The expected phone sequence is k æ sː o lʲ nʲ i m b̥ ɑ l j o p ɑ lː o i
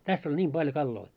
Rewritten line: t æ sː o lʲ nʲ iː m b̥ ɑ l j o k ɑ lː o i